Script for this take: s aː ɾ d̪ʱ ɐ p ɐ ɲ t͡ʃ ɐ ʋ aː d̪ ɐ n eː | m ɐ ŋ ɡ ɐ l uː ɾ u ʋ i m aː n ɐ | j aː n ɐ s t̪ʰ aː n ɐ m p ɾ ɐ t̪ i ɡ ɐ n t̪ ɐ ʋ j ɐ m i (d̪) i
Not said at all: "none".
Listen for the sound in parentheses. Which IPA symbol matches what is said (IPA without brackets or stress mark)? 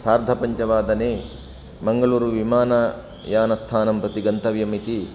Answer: t̪